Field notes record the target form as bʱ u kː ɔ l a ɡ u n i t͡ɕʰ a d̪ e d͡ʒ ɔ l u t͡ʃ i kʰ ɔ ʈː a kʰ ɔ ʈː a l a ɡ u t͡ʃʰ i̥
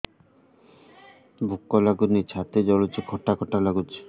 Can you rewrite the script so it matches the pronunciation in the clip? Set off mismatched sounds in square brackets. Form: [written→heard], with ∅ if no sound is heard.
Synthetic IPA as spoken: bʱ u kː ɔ l a ɡ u n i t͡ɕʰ a [d̪→t̪] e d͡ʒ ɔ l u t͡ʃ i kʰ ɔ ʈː a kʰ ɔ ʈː a l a ɡ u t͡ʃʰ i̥